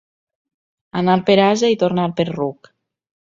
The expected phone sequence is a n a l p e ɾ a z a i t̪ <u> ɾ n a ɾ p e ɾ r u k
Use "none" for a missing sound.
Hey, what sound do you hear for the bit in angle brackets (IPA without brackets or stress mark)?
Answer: o